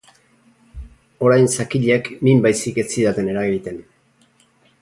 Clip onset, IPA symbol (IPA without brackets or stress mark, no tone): o̞